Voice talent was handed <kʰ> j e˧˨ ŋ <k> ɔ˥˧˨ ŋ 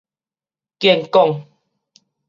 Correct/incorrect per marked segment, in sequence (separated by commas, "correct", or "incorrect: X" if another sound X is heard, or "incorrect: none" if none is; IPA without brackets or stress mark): incorrect: k, correct